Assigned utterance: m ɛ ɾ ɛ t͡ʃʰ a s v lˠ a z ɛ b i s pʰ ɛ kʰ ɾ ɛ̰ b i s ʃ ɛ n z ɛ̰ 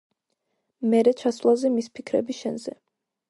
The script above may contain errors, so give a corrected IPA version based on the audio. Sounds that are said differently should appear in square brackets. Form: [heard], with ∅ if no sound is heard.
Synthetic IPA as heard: m ɛ ɾ ɛ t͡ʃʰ a s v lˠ a z ɛ [m] i s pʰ [i] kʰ ɾ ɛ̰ b i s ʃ ɛ n z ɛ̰